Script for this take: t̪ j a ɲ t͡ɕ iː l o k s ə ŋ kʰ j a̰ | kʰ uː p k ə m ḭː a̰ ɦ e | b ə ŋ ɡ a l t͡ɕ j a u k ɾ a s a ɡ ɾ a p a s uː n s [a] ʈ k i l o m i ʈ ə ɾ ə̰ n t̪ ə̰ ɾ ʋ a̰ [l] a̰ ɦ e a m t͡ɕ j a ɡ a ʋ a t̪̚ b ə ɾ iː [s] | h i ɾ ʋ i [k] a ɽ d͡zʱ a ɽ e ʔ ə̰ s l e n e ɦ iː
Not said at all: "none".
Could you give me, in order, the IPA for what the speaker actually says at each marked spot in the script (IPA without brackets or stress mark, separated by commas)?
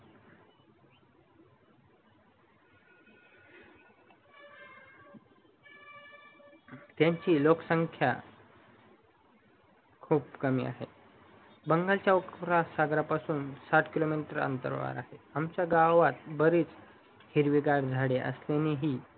a, ɾ, t͡s, ɡ